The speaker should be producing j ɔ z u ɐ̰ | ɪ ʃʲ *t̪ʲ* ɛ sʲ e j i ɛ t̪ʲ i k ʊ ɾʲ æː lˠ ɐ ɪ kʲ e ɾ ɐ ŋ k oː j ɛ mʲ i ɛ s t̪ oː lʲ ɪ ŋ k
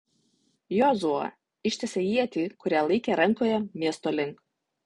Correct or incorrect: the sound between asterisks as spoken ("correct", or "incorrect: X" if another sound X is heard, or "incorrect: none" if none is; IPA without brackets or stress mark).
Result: correct